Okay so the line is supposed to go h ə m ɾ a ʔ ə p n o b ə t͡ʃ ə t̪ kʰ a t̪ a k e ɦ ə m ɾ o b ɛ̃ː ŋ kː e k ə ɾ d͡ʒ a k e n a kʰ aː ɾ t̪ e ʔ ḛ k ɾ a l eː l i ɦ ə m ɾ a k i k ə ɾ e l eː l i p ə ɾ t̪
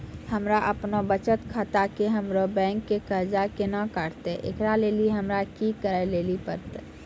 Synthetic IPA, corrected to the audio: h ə m ɾ a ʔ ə p n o b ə t͡ʃ ə t̪ kʰ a t̪ a k e ɦ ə m ɾ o b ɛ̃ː ŋ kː e k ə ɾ d͡ʒ a k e n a k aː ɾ t̪ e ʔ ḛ k ɾ a l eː l i ɦ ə m ɾ a k i k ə ɾ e l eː l i p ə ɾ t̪